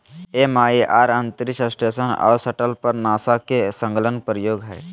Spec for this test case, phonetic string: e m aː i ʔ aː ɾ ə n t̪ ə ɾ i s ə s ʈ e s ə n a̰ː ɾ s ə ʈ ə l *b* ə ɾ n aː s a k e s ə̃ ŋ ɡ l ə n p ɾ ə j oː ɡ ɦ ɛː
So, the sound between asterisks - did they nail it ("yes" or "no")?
no